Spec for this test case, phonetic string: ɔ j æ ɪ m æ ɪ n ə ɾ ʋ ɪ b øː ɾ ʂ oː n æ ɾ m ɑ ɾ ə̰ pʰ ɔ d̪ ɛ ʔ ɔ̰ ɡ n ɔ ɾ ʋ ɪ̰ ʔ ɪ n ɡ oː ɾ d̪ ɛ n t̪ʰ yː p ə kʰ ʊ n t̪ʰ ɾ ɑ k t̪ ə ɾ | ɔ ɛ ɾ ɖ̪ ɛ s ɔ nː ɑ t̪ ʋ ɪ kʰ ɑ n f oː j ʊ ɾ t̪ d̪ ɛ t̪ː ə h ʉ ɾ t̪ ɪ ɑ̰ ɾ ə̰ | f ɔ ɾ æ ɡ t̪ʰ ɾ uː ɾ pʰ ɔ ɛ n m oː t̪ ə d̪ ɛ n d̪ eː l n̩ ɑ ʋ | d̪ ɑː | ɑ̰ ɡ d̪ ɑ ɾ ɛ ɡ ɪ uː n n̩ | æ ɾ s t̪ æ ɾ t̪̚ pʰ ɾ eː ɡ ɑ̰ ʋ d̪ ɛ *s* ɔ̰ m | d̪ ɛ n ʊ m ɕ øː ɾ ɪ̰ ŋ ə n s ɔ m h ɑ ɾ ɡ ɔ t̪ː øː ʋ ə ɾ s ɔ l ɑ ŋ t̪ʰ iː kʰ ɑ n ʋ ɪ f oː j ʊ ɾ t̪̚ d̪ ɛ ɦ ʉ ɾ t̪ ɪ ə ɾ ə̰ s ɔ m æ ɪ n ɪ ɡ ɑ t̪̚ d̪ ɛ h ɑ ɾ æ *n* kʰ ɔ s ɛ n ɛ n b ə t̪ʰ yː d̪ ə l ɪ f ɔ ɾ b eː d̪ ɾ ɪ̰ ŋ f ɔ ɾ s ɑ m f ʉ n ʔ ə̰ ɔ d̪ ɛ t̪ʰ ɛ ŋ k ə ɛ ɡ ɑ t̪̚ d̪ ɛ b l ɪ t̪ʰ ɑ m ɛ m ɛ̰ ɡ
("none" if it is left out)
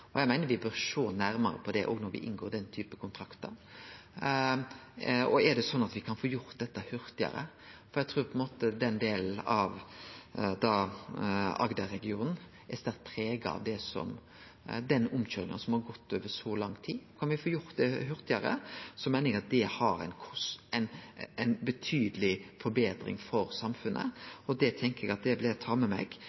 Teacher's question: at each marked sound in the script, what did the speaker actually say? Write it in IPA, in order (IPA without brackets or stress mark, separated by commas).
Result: s, n